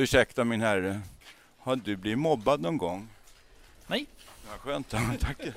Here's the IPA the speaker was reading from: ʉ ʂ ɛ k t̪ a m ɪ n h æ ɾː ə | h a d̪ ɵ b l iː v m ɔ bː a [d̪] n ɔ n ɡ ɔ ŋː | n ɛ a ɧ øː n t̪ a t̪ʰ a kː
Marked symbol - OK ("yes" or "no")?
yes